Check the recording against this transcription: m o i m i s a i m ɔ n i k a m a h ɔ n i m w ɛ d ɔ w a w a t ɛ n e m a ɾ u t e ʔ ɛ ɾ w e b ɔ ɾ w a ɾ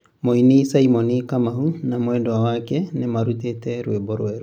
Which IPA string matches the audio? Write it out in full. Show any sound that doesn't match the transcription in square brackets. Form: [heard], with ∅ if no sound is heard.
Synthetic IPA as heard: m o i [n] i s a i m ɔ n i k a m a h [u] n [a] m w ɛ d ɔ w a w a [k] ɛ n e m a ɾ u t e [t] ɛ ɾ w e b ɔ ɾ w [ɛ] ɾ